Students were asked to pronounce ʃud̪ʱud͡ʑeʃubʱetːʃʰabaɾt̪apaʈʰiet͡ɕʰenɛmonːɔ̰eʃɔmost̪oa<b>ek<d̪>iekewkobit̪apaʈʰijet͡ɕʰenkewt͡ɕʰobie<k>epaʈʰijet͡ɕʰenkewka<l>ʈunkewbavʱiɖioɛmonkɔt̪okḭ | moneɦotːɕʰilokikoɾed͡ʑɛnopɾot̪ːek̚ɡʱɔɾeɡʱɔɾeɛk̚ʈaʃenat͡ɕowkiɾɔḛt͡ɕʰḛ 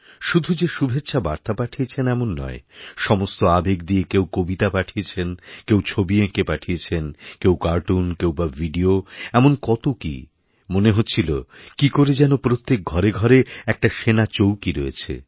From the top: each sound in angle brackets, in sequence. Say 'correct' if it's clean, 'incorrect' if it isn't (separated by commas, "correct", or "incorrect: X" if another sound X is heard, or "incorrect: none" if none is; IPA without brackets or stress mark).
correct, correct, correct, incorrect: ɾ